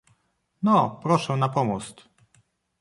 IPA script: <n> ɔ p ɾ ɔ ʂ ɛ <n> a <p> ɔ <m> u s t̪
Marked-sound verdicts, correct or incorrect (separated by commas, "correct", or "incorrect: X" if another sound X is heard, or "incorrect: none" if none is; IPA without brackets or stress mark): correct, correct, correct, correct